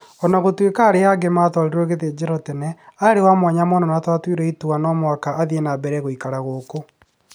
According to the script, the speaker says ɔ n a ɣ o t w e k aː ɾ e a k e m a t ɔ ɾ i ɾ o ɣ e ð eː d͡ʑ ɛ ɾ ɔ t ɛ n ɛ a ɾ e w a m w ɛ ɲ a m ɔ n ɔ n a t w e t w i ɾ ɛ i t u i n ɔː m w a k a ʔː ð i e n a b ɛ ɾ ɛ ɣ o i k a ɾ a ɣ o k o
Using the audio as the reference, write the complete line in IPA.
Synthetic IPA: ɔ n a ɣ o t w e k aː ɾ e a ɡ e m a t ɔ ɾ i ɾ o ɣ e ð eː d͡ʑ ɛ ɾ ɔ t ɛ n ɛ a ɾ e w a m w a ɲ a m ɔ n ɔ n a t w a t w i ɾ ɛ i t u a n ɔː m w a k a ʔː ð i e n a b ɛ ɾ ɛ ɣ o i k a ɾ a ɣ o k o